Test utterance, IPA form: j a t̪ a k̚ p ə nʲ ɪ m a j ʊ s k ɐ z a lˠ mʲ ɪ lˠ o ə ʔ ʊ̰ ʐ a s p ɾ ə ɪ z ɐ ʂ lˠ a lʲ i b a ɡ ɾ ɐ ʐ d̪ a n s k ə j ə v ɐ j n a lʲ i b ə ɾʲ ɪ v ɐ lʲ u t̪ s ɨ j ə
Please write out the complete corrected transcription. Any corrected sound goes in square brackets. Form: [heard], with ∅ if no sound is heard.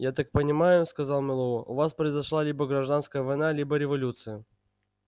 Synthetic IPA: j a t̪ a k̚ p ə nʲ ɪ m a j ʊ s k ɐ z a lˠ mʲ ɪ lˠ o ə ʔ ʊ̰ [v] a s p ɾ ə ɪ z ɐ ʂ lˠ a lʲ i b [ə] ɡ ɾ ɐ ʐ d̪ a n s k ə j ə v ɐ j n a lʲ i b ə ɾʲ ɪ v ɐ lʲ u t̪ s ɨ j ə